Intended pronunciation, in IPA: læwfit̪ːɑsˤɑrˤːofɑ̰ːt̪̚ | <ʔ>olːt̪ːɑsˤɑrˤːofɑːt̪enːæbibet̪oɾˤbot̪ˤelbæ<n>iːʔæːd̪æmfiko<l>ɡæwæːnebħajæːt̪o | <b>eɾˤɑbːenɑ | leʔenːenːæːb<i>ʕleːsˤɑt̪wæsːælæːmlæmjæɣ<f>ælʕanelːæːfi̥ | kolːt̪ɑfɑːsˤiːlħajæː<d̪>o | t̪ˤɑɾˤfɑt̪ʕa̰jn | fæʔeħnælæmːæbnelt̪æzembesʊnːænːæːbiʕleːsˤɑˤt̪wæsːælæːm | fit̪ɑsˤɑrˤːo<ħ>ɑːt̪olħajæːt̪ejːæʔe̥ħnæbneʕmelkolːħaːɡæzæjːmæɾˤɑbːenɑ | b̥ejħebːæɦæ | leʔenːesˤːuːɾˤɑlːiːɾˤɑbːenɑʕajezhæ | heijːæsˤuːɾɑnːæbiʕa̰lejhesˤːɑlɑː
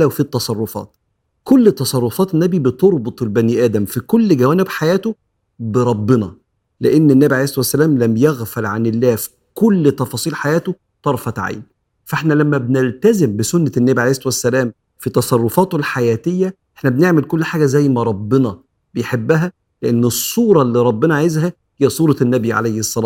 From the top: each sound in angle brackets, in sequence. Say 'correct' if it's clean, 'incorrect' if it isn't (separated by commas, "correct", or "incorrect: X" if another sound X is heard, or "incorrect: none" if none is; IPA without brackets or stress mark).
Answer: incorrect: k, correct, incorrect: lː, correct, correct, correct, incorrect: t̪, incorrect: f